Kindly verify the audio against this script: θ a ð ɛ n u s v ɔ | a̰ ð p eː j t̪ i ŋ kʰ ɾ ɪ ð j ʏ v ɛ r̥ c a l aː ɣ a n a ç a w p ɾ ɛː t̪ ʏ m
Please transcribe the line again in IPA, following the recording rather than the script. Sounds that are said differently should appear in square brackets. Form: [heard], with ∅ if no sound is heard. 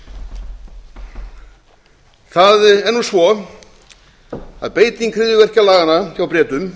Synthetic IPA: θ a ð ɛ [nː] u s v ɔ | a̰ ð p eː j t̪ i ŋ kʰ ɾ ɪ ð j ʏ v ɛ r̥ c a l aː ɣ a n a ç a w p ɾ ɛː t̪ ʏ m